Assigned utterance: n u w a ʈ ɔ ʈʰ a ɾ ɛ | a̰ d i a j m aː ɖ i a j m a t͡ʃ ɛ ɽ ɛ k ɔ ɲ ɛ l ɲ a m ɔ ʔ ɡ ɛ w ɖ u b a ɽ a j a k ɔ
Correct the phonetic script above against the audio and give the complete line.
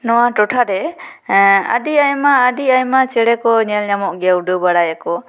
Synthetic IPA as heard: n ɔ w a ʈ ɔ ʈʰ a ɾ ɛ | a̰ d i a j m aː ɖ i a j m a t͡ʃ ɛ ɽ ɛ k ɔ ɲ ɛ l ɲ a m ɔ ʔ ɡ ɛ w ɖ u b a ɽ a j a k ɔ